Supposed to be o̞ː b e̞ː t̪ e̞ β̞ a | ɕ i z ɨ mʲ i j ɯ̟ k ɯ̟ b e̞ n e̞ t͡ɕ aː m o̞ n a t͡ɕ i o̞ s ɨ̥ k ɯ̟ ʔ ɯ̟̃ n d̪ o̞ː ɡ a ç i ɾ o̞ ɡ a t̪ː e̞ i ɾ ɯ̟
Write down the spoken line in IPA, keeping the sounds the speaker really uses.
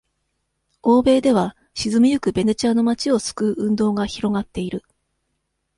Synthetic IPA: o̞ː b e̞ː d̪ e̞ β̞ a | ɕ i z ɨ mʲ i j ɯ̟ k ɯ̟ b e̞ n e̞ t͡ɕ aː n o̞ m a t͡ɕ i o̞ s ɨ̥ k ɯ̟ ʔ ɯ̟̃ n d̪ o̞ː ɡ a ç i ɾ o̞ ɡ a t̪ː e̞ i ɾ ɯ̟